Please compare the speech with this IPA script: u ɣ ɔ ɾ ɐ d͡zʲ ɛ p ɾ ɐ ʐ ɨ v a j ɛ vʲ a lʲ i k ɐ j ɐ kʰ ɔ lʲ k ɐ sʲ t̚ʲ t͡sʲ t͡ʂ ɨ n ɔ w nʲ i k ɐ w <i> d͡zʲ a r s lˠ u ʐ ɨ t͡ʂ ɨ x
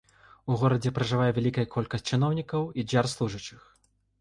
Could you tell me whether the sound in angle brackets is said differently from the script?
no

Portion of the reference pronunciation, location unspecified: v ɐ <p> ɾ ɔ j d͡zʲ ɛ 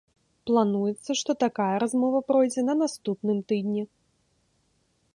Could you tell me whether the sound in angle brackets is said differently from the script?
no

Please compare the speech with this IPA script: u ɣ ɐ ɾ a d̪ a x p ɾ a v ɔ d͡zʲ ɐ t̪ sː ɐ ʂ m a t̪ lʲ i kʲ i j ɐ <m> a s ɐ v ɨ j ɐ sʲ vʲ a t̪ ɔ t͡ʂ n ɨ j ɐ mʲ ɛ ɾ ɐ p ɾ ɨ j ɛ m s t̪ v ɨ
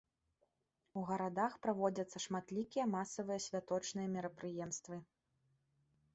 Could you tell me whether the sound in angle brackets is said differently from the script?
no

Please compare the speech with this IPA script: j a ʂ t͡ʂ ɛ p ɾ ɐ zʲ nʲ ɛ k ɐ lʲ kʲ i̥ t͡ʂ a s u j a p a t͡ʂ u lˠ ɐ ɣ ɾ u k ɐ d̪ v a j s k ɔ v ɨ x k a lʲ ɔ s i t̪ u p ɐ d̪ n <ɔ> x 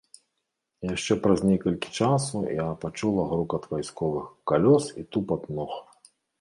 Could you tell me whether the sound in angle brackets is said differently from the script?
no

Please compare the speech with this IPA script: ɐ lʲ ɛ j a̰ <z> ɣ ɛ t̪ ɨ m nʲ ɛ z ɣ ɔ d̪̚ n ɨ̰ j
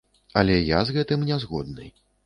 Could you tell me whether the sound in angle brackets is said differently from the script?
no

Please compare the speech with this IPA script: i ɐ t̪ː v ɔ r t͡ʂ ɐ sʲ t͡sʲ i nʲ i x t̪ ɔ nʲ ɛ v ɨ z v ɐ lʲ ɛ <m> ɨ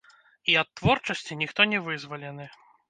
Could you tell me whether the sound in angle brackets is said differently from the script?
yes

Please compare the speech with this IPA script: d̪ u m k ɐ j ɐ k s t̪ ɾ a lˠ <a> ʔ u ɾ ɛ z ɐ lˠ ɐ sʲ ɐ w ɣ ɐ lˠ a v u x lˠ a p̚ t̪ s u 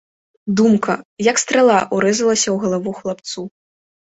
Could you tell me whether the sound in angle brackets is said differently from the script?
no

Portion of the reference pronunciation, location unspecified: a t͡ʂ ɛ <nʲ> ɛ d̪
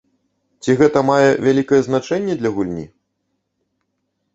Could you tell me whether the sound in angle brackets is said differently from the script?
yes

